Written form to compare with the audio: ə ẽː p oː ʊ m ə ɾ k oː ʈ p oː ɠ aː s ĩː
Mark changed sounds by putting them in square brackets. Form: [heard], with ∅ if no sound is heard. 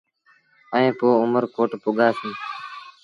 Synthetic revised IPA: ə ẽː p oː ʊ m ə ɾ k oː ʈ p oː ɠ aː s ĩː